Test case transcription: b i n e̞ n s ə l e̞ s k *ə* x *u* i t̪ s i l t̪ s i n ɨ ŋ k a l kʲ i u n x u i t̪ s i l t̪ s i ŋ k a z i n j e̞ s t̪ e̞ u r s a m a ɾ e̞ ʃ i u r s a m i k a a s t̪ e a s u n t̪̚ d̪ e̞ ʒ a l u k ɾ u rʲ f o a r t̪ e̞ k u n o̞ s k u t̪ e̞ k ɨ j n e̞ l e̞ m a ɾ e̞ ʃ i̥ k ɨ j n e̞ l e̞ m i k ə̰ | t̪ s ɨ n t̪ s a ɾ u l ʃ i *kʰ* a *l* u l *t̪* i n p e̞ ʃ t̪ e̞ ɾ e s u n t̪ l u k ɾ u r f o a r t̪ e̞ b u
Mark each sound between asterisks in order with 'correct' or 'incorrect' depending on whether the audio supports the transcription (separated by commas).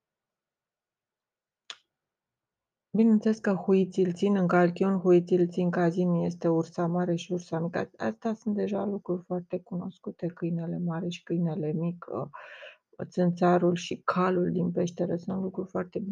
correct, correct, correct, correct, incorrect